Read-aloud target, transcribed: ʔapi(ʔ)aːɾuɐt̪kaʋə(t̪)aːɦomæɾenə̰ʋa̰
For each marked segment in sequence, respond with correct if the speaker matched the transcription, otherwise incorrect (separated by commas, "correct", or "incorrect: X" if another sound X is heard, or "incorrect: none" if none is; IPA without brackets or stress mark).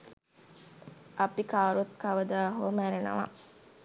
incorrect: k, incorrect: d̪